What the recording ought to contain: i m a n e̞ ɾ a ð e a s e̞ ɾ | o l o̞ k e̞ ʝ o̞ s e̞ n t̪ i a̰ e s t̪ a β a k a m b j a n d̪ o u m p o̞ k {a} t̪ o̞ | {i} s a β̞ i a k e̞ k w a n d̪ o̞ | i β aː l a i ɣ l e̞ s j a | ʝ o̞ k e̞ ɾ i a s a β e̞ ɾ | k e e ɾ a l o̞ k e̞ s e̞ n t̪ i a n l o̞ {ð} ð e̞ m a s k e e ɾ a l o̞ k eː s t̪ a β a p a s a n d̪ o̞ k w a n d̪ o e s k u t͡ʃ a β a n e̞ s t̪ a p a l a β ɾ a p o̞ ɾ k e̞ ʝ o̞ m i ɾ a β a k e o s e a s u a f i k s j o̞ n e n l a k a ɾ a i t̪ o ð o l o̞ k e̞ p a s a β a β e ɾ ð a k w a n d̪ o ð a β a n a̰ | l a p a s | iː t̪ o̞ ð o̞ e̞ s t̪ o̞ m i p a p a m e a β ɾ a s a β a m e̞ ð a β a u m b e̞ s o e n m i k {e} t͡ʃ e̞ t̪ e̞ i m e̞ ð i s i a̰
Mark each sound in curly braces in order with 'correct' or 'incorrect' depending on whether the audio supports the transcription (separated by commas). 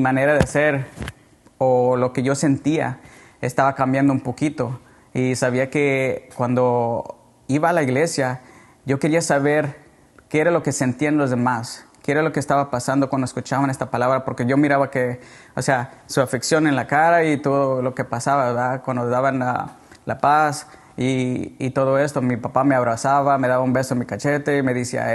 incorrect, correct, incorrect, incorrect